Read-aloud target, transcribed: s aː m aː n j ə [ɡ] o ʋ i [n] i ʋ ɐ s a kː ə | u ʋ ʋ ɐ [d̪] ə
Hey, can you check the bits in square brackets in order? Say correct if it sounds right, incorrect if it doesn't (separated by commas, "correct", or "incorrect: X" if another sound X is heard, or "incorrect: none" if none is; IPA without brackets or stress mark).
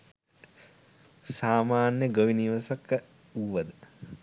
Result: correct, correct, correct